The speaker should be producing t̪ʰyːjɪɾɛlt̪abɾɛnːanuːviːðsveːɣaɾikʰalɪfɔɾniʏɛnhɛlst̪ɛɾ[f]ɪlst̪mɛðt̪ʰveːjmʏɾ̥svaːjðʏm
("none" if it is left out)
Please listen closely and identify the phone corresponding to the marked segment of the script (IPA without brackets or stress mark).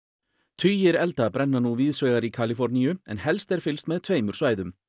f